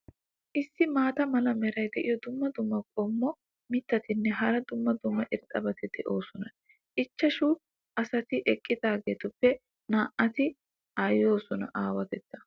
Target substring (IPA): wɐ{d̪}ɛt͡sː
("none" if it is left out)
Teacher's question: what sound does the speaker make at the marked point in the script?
t̪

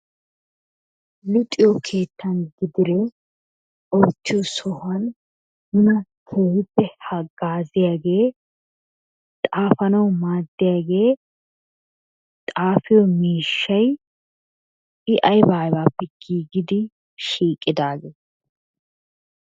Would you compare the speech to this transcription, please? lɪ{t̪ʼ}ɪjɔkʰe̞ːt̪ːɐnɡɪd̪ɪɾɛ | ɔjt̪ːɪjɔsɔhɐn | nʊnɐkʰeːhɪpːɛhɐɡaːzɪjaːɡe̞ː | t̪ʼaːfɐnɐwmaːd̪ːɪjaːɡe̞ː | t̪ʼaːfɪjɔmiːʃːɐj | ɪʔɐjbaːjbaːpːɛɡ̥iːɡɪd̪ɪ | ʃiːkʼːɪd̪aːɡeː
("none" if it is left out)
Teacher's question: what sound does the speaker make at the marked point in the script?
t̪ʼ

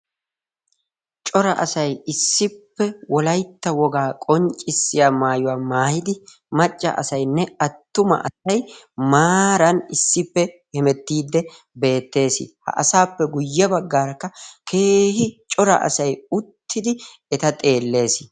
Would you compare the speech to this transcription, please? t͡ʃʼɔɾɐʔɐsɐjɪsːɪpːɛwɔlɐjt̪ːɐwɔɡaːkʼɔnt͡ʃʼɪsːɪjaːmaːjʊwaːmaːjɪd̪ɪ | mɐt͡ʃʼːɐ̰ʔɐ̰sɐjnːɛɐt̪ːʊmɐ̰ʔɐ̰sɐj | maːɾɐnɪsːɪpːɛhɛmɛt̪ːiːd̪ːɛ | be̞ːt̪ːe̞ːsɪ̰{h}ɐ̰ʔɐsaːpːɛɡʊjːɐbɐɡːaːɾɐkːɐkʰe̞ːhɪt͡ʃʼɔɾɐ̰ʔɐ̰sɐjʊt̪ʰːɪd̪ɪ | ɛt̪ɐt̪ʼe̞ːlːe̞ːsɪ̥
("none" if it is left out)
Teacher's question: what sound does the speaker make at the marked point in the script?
h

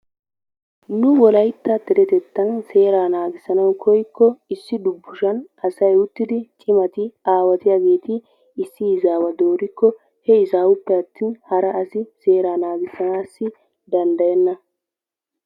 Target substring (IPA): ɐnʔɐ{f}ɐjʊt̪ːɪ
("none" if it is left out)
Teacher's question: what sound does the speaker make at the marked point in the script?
s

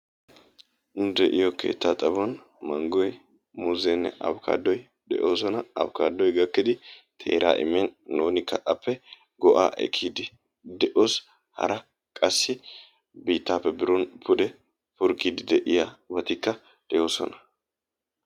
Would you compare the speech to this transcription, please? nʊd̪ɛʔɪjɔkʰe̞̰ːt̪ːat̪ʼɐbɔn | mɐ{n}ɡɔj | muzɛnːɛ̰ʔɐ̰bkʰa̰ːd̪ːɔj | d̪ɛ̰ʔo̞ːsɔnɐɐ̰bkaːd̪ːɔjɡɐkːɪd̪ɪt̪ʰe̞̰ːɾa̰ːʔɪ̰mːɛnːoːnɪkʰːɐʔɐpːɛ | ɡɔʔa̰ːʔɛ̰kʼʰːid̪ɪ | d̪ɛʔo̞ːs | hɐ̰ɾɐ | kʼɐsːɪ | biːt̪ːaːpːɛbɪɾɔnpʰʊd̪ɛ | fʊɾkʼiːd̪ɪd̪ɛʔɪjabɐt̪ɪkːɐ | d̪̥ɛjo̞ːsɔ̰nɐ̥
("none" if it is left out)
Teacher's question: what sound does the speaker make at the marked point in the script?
ŋ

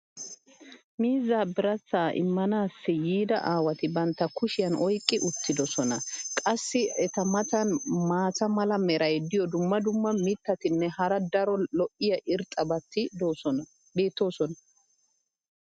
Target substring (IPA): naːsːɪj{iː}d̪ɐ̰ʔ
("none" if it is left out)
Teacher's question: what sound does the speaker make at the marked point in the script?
iː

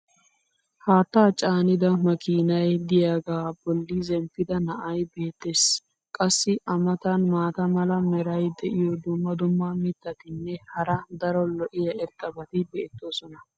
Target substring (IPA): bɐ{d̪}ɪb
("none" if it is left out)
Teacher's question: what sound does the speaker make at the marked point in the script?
t̪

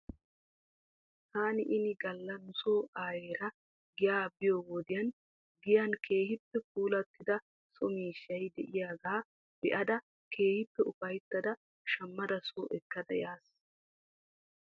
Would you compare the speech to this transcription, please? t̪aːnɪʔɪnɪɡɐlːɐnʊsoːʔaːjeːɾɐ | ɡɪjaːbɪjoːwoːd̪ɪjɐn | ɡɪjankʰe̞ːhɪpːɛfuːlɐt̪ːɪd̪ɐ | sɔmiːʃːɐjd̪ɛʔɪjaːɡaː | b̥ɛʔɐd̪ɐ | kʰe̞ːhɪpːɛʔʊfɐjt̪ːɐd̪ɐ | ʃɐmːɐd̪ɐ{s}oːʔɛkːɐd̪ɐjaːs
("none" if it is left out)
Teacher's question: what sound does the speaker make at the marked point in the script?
s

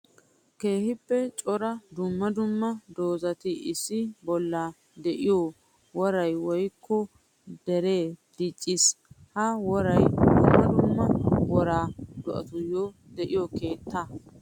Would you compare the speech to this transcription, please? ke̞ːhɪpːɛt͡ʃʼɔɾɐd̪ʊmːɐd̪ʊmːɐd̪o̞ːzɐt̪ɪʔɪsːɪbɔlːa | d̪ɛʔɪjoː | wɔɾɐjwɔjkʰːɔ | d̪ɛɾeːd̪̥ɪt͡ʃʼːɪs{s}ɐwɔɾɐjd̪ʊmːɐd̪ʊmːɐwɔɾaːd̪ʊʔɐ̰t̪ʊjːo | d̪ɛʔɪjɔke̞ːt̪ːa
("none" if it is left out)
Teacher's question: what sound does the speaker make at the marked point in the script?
h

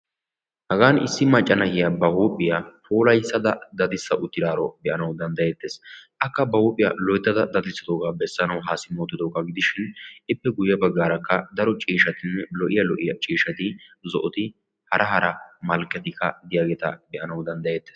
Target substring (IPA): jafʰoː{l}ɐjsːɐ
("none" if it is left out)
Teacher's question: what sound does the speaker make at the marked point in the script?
l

